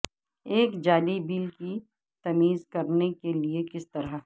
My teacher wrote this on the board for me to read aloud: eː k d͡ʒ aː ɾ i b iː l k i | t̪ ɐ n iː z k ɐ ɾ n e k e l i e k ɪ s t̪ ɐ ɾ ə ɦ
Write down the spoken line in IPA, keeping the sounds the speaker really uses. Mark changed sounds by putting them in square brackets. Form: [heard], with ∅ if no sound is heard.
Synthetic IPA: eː k d͡ʒ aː [l] i b iː l k i | t̪ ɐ [m] iː z k ɐ ɾ n e k e l i e k ɪ s t̪ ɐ ɾ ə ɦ